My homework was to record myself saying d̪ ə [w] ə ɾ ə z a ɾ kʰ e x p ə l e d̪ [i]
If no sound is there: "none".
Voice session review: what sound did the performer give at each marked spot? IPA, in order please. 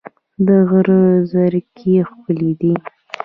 ɣ, i

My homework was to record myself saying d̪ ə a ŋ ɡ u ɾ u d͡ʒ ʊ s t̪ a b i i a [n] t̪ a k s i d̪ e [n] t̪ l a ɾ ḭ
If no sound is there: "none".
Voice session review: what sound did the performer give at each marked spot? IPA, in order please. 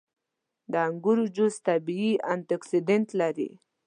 n, n

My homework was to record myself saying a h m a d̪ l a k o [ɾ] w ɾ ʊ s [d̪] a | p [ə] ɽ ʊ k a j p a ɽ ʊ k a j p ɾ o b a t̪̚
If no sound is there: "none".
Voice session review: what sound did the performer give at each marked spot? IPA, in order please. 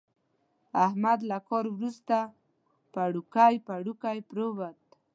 ɾ, t̪, a

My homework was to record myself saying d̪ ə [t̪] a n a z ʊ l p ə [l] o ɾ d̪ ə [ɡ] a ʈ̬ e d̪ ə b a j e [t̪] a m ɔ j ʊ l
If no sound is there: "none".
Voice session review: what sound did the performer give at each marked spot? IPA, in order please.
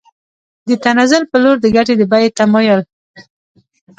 t̪, l, ɡ, t̪

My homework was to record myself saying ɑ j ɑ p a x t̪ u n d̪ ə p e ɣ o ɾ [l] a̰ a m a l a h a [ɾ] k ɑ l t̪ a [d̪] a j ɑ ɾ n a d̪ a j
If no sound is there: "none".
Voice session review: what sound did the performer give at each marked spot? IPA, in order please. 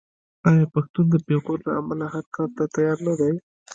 l, ɾ, t̪

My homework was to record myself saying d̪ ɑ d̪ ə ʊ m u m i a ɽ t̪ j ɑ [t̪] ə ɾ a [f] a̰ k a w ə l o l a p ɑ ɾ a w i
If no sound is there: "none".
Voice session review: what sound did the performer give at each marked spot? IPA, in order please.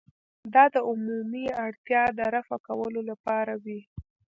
d̪, f

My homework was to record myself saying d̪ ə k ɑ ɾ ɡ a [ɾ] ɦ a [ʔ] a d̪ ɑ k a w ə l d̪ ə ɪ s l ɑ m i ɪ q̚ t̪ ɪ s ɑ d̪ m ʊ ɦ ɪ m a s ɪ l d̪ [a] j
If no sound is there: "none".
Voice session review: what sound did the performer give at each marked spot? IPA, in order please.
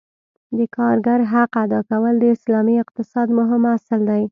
ɾ, q, a

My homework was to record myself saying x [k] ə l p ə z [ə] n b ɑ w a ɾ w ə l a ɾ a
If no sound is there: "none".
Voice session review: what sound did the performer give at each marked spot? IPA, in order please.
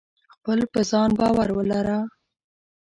p, ɑ

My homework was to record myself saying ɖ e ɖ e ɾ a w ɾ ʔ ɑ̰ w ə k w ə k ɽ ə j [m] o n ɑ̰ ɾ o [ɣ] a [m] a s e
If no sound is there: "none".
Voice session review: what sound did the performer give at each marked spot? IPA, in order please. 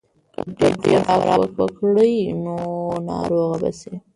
n, ɣ, b

